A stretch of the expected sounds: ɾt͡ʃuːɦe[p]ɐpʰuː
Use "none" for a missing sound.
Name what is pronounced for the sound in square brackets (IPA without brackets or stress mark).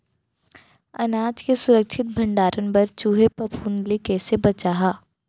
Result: p